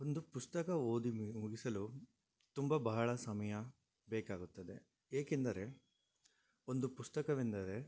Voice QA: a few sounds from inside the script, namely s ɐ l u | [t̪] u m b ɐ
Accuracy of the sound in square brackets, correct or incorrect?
correct